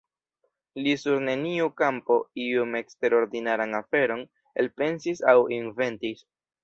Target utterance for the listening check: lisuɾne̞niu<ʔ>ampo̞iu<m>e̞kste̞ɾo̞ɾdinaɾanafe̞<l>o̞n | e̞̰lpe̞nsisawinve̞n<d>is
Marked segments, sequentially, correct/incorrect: incorrect, correct, incorrect, incorrect

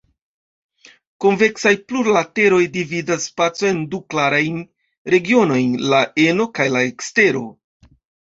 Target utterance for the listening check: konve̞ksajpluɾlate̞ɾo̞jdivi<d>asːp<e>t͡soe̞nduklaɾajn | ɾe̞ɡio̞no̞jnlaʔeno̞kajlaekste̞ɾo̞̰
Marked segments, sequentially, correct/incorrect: correct, incorrect

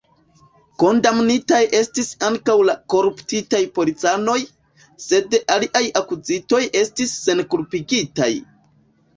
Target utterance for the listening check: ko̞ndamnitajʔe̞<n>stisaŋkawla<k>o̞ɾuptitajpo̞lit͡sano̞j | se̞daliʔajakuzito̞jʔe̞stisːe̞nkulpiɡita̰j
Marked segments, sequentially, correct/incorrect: incorrect, correct

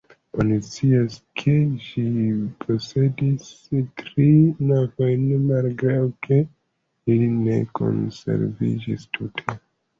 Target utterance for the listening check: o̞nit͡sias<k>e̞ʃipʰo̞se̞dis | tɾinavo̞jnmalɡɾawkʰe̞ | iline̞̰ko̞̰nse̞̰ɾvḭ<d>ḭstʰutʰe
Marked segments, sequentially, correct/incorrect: incorrect, incorrect

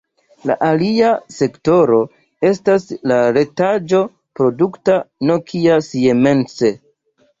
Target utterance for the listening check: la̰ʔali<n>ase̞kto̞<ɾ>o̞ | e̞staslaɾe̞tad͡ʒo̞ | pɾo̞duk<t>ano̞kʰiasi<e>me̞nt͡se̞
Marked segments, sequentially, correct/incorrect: incorrect, correct, correct, correct

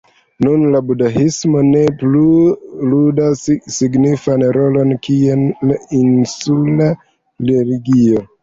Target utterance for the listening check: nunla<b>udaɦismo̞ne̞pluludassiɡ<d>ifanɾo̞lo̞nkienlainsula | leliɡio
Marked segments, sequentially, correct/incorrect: correct, incorrect

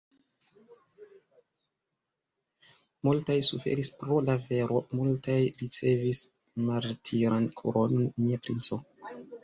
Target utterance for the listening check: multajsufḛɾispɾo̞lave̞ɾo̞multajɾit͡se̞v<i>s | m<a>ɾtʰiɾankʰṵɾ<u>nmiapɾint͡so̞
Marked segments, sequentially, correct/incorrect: correct, correct, incorrect

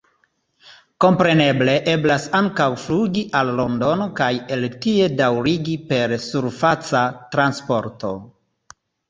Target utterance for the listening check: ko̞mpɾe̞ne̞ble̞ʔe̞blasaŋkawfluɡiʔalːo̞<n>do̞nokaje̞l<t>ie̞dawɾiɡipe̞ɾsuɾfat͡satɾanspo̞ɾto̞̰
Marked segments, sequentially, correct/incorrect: correct, correct

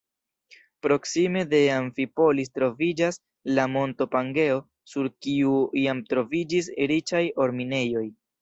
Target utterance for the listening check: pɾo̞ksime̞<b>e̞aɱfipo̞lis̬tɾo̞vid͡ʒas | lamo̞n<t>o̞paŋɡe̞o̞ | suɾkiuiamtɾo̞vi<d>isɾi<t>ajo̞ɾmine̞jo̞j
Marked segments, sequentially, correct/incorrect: incorrect, correct, incorrect, incorrect

